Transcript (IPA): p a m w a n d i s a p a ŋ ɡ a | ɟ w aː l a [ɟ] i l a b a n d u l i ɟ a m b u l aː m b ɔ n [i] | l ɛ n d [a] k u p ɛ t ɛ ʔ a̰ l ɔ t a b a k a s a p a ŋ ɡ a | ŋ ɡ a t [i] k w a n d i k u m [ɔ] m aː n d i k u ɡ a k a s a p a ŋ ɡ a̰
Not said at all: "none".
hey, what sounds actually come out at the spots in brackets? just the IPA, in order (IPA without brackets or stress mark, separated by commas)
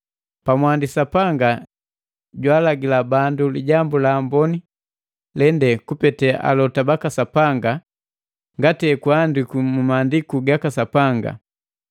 ɡ, i, ɛ, ɛ, u